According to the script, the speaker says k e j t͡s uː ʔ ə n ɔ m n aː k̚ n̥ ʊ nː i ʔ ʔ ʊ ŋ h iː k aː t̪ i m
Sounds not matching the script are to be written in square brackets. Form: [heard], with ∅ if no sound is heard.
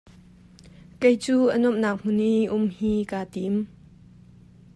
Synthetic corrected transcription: k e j t͡s uː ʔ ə n ɔ m n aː k̚ [m̥] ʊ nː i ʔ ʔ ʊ [m] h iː k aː t̪ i m